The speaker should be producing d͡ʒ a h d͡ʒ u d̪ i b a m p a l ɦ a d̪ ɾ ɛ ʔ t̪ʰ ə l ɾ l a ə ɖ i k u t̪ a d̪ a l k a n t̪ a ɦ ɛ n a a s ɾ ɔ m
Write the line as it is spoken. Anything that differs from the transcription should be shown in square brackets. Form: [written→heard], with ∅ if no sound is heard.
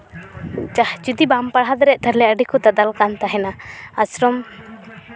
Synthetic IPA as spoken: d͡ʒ a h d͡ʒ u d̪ i b a m p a [l→ɽ] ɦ a d̪ ɾ ɛ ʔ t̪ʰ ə [l→∅] ɾ l [a→ɛ] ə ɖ i k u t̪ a d̪ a l k a n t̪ a ɦ ɛ n a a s ɾ ɔ m